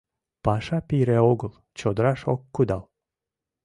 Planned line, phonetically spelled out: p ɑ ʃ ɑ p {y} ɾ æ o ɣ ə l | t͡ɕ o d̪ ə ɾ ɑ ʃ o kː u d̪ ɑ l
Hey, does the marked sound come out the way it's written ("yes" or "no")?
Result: no